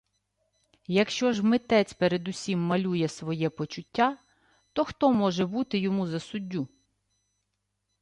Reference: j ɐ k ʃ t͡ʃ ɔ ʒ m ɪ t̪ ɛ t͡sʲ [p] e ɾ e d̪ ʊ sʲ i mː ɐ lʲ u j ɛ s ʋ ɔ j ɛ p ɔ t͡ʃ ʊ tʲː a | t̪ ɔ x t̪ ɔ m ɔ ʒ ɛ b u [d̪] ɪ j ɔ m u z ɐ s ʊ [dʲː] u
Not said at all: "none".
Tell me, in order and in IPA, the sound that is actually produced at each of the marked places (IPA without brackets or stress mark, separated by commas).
p, t̪, dʲː